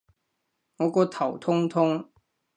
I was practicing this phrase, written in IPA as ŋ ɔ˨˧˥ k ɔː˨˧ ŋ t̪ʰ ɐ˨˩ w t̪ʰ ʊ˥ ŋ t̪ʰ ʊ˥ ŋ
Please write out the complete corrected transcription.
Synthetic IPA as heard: ŋ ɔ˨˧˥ k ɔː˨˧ t̪ʰ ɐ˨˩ w t̪ʰ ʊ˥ ŋ t̪ʰ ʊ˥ ŋ